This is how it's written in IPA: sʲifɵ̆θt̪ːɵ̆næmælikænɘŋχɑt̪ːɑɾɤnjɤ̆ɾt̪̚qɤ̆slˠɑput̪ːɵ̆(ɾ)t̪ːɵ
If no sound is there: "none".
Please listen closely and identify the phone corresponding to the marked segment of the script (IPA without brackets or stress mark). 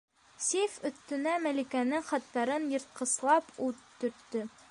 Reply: ɾ